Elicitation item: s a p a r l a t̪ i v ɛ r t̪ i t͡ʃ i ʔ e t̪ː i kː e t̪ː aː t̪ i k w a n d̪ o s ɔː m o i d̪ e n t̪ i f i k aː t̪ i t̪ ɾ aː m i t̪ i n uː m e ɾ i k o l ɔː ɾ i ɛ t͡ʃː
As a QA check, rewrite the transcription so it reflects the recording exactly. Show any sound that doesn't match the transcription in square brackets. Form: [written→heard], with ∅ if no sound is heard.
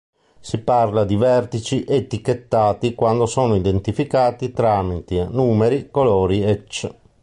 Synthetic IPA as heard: s [a→i] p a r l a [t̪→d̪] i v ɛ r t̪ i t͡ʃ i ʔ e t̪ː i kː e t̪ː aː t̪ i k w a n d̪ o s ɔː [m→n] o i d̪ e n t̪ i f i k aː t̪ i t̪ ɾ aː m i t̪ i n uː m e ɾ i k o l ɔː ɾ i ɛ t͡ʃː